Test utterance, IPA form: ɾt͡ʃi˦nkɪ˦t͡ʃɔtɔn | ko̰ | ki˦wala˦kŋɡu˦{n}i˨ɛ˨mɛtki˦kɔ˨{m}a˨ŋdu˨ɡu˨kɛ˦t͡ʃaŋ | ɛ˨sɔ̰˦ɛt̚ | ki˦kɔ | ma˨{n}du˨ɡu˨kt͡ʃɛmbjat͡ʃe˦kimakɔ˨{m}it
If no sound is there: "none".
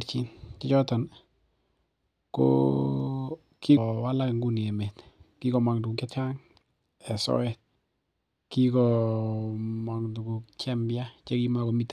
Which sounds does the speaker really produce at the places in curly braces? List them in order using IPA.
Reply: n, m, ŋ, m

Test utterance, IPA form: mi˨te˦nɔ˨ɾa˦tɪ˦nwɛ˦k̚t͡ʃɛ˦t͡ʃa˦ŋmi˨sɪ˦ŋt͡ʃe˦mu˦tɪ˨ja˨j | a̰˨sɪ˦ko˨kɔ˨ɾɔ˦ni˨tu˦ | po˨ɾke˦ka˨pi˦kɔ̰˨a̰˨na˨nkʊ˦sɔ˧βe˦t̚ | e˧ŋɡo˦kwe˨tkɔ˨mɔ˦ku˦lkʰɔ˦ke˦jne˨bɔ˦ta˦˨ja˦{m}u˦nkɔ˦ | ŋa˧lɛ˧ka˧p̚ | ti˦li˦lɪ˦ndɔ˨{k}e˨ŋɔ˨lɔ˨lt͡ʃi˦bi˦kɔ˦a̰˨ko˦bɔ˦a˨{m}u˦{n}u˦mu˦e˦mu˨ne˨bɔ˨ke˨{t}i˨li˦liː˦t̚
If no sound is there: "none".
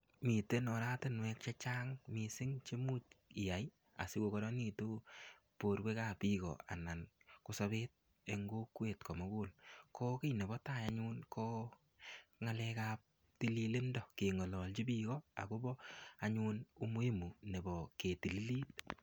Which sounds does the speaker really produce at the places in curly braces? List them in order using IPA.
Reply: ɲ, k, ɲ, n, t

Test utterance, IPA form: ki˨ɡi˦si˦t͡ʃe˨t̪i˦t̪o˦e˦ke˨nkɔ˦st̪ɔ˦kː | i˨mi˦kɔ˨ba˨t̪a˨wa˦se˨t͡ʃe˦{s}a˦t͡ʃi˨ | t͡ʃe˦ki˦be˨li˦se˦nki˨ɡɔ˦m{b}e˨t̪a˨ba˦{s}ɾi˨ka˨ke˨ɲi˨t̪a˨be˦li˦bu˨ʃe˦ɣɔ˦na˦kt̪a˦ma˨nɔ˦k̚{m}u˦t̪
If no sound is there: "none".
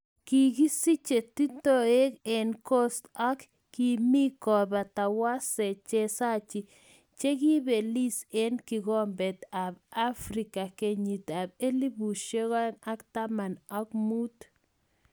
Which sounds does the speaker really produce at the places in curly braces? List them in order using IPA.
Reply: s, b, f, m

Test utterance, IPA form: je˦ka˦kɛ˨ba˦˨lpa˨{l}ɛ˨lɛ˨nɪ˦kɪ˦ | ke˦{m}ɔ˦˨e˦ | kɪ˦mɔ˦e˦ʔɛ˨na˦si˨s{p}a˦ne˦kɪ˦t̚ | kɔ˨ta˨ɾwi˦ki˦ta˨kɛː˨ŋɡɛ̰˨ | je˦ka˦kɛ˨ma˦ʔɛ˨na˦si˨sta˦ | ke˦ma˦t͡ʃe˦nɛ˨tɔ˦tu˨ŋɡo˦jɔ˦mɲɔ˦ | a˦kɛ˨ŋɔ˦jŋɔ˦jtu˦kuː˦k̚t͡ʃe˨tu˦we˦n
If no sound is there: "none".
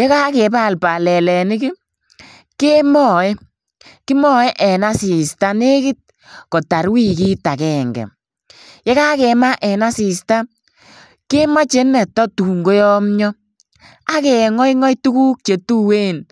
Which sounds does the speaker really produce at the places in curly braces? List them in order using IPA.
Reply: l, m, t

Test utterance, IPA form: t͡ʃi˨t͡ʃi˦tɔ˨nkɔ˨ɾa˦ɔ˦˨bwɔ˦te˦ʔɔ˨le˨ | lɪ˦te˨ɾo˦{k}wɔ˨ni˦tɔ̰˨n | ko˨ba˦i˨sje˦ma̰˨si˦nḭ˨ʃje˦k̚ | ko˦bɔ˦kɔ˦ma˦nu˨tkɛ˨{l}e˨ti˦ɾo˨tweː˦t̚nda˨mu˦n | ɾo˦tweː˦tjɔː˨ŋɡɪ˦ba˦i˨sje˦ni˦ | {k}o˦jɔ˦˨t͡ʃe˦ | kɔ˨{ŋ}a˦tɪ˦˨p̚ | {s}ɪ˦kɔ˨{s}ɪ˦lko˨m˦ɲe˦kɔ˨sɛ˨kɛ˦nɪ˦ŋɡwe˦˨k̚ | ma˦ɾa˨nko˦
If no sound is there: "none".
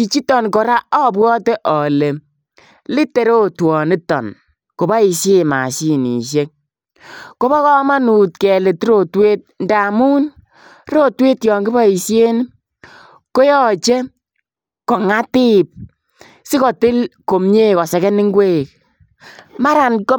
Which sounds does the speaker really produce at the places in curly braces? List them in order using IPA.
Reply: t, l, k, ŋ, s, t

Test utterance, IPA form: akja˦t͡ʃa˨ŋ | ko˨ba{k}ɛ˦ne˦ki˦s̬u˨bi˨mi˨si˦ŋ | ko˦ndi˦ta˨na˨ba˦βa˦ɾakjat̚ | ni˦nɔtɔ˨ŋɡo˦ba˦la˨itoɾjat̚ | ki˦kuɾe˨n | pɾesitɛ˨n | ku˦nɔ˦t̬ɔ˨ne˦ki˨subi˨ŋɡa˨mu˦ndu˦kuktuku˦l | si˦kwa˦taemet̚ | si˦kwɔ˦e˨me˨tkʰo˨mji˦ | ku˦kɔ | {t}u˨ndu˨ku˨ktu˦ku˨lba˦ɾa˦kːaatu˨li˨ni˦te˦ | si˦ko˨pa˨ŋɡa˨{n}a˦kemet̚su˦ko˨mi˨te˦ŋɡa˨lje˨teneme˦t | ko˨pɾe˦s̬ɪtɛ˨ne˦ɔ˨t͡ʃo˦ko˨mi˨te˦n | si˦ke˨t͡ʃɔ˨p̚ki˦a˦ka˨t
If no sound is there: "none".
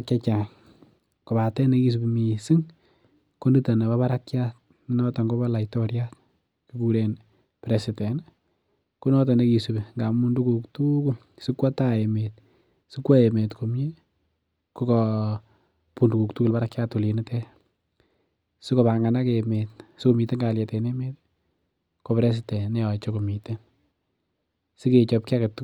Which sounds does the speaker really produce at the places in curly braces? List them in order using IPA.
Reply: t, p, n

